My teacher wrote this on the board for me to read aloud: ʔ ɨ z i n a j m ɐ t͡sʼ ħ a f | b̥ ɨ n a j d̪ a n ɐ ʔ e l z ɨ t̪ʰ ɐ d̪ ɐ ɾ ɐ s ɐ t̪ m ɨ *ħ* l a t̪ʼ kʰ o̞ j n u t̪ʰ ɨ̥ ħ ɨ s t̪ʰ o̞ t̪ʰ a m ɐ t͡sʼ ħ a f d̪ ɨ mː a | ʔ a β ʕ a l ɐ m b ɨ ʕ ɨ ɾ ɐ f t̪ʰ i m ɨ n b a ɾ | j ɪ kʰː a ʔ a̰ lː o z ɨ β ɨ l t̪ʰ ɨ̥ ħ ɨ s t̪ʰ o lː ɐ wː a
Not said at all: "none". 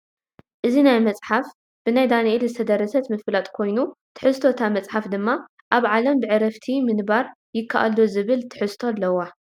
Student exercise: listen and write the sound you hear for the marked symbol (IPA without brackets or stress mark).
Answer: f